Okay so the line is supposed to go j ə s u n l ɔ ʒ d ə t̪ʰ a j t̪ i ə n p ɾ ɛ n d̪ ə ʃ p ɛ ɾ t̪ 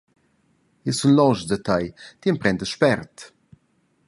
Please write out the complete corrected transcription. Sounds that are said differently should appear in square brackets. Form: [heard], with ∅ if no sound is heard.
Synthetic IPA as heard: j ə s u n l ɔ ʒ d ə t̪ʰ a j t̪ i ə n p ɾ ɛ n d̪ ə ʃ p ɛ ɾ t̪